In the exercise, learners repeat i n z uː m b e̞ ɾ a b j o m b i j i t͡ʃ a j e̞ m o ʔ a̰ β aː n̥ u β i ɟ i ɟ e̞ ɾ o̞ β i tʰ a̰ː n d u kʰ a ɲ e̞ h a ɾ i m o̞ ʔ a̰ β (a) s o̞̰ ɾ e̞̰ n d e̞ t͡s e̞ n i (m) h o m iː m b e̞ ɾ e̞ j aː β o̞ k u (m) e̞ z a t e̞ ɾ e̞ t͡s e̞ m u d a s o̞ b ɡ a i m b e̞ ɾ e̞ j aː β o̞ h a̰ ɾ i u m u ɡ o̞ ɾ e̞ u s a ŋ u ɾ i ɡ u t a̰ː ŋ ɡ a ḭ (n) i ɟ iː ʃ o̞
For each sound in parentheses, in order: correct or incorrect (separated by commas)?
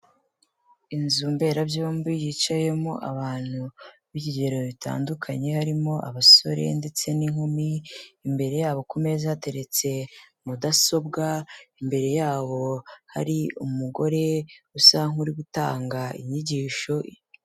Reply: correct, incorrect, correct, incorrect